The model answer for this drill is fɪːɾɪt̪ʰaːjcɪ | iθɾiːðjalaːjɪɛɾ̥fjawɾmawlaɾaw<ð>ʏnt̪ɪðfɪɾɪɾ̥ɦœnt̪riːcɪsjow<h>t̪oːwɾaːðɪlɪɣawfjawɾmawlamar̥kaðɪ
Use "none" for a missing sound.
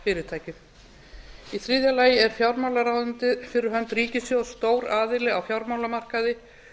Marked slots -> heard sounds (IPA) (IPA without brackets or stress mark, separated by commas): ð, s